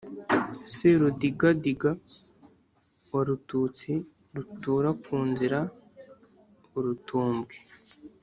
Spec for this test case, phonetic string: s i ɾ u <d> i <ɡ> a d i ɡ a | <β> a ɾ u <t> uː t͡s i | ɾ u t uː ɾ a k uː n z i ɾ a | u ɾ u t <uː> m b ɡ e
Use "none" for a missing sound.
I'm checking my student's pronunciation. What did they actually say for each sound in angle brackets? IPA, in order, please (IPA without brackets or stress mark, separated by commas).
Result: d, ɡ, w, t, uː